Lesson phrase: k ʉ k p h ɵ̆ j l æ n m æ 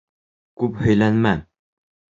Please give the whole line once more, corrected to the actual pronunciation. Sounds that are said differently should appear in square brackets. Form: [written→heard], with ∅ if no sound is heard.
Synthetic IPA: k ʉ [k→∅] p h ɵ̆ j l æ n m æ